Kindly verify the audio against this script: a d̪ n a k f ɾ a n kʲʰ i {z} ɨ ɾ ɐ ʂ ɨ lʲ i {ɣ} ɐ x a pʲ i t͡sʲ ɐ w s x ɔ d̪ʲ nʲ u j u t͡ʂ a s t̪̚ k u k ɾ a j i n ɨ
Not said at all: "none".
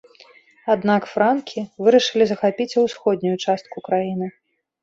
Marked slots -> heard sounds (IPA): v, z

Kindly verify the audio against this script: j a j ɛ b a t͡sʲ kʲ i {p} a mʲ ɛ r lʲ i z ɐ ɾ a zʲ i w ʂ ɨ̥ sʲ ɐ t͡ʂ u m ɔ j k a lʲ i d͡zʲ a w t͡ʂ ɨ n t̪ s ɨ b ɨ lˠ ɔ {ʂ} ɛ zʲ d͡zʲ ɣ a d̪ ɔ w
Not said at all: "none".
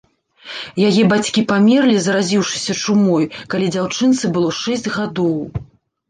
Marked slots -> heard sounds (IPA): p, ʂ

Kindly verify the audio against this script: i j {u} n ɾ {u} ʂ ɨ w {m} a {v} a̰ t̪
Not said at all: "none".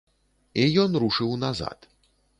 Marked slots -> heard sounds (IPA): ɔ, u, n, z

